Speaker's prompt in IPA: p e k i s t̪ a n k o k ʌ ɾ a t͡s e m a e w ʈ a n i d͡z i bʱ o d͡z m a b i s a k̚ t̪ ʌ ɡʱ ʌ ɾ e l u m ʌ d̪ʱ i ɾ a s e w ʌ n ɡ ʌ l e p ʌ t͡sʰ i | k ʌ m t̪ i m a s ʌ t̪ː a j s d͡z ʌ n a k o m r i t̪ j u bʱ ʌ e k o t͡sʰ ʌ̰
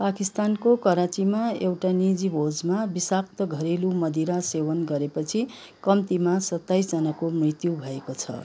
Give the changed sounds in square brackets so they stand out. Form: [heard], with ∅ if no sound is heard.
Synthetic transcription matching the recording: p [a] k i s t̪ a n k o k ʌ ɾ a t͡s [i] m a e w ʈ a n i d͡z i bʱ o d͡z m a b i s a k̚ t̪ ʌ ɡʱ ʌ ɾ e l u m ʌ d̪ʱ i ɾ a s e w ʌ n ɡ ʌ [ɾ] e p ʌ t͡sʰ i | k ʌ m t̪ i m a s ʌ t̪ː a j s d͡z ʌ n a k o m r i t̪ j u bʱ ʌ e k o t͡sʰ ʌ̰